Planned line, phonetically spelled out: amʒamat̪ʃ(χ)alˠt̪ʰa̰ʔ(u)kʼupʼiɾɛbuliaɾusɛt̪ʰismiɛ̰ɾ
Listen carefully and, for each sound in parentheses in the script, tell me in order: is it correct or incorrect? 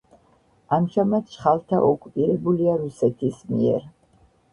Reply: correct, incorrect

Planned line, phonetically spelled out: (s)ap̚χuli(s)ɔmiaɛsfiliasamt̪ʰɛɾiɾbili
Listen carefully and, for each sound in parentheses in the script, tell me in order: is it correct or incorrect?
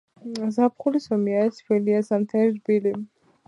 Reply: incorrect, correct

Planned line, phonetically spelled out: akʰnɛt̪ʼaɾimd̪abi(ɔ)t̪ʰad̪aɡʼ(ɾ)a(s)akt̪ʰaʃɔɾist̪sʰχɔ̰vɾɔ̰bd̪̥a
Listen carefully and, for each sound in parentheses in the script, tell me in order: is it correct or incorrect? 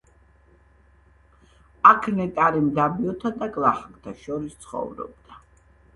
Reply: correct, incorrect, incorrect

